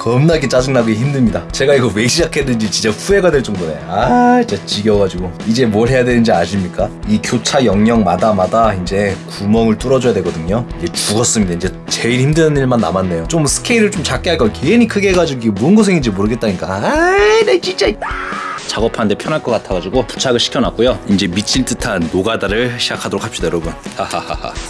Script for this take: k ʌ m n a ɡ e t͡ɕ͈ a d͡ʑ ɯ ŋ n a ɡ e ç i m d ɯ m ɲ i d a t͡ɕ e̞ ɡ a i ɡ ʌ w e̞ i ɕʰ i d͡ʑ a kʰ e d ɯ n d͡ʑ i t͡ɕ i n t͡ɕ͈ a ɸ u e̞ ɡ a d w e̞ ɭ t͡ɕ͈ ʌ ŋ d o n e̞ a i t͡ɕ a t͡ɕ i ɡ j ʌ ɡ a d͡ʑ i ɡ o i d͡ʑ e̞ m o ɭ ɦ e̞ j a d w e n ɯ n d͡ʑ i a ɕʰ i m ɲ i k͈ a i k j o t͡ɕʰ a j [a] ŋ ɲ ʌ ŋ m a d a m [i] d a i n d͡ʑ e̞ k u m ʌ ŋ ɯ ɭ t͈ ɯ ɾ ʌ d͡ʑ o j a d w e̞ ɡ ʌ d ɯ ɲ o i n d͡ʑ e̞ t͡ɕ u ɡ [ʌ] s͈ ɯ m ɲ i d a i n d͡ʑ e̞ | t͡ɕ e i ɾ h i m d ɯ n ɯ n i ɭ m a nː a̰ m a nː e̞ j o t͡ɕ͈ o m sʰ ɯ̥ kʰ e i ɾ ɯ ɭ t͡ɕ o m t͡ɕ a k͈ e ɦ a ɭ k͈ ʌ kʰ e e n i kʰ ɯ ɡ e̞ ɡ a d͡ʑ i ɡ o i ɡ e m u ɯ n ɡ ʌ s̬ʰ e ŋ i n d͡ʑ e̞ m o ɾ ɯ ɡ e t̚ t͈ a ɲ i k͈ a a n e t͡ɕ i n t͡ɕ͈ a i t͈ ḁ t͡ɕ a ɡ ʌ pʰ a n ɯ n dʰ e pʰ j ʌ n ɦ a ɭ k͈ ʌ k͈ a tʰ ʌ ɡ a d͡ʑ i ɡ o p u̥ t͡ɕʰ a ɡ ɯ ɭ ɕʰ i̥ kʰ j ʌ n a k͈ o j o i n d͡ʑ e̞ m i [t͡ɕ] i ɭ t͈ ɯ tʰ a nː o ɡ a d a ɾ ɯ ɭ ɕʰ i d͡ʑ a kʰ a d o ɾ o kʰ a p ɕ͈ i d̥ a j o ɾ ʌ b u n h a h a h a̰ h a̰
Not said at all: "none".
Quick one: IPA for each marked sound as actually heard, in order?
ʌ, a, ʌ, t͡ɕʰ

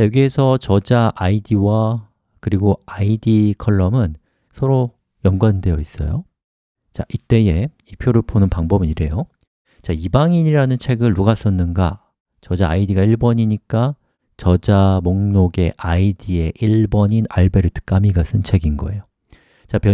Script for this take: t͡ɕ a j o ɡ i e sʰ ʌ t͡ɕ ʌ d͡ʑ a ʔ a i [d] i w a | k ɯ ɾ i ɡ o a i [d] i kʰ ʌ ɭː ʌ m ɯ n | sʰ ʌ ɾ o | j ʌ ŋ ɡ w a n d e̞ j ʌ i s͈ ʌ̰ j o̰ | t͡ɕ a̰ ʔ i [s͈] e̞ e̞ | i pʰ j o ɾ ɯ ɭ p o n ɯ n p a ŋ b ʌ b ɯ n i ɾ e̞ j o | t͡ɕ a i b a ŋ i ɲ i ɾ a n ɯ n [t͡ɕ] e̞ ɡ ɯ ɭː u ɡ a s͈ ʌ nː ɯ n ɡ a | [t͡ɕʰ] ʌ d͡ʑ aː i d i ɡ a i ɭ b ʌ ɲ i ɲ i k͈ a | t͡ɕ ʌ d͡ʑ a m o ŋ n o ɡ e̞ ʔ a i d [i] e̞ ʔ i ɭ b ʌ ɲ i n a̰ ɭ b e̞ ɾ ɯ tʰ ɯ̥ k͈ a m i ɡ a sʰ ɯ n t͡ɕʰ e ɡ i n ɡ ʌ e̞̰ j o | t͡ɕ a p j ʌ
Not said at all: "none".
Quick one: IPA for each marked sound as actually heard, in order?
d, d, t͈, t͡ɕʰ, t͡ɕ, i

